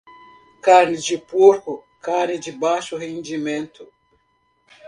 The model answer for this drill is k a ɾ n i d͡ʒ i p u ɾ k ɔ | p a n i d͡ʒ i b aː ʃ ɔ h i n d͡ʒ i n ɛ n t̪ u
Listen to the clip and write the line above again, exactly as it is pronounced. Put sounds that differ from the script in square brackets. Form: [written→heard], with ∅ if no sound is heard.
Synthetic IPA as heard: k a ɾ n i d͡ʒ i p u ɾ k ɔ | [p→k] a n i d͡ʒ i b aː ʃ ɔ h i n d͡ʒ i [n→m] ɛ n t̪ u